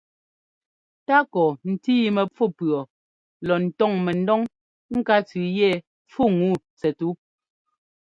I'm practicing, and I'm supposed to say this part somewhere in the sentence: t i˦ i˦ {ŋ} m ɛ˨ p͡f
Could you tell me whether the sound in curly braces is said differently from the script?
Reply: yes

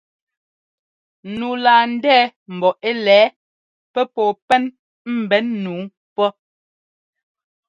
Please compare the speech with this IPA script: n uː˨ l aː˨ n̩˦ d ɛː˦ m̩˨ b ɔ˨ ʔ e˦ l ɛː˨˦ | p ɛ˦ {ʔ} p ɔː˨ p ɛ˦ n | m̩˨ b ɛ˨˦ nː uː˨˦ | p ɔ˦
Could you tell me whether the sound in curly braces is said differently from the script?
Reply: yes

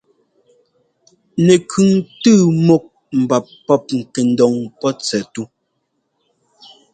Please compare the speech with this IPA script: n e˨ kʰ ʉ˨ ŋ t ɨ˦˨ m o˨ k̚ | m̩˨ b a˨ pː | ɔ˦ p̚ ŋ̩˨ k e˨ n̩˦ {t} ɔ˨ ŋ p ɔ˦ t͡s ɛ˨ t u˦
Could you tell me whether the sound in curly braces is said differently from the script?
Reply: yes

